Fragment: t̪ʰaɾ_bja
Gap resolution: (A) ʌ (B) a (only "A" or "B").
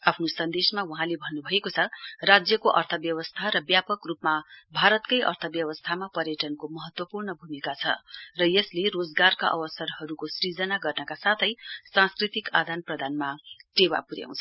A